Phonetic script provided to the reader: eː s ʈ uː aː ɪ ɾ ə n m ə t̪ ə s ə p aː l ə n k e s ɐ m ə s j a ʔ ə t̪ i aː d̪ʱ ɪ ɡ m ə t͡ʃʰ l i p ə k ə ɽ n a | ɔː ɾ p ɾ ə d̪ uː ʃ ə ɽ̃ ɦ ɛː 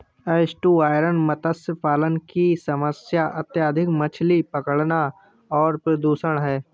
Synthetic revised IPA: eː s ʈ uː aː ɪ ɾ ə n m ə t̪ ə s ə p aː l ə n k i s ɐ m ə s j a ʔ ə t̪ j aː d̪ʱ ɪ k m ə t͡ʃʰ l i p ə k ə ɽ n a | ɔː ɾ p ɾ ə d̪ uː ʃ ə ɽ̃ ɦ ɛː